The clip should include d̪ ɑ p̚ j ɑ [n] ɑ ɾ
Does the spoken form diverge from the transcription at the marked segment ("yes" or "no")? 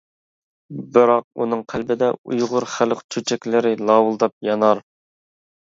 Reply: no